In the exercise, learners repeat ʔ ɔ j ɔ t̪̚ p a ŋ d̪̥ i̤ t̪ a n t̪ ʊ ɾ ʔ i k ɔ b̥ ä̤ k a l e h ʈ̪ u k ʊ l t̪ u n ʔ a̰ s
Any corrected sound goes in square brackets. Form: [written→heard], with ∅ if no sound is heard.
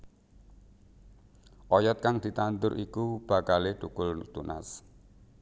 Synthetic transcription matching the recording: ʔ ɔ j ɔ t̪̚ [p→k] a ŋ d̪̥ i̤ t̪ a n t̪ ʊ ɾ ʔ i k [ɔ→u] b̥ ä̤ k a l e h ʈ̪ u k ʊ l t̪ u n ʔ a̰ s